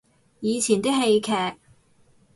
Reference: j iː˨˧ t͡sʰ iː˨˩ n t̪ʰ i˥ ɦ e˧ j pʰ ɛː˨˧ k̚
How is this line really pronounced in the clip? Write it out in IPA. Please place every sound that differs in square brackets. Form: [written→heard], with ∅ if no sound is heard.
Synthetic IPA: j iː˨˧ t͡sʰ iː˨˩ n [t̪ʰ→t̪] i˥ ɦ e˧ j [pʰ→kʰ] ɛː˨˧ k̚